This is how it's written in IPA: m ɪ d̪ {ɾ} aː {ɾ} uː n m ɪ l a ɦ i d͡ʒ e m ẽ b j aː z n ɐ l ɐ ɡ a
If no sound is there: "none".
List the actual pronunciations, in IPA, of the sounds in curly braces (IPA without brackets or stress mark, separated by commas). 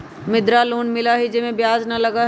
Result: ɾ, l